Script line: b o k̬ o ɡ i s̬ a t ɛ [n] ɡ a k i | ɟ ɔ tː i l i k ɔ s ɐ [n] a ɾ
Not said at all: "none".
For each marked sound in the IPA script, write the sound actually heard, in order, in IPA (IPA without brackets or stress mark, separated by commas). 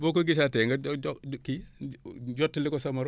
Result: ŋ, m